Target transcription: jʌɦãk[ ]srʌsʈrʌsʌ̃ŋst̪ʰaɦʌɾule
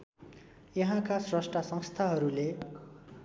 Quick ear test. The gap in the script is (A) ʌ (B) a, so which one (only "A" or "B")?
B